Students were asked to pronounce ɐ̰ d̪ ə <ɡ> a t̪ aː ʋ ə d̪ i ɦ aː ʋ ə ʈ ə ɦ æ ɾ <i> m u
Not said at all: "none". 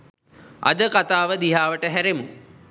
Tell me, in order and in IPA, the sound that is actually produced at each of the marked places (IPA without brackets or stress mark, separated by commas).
k, e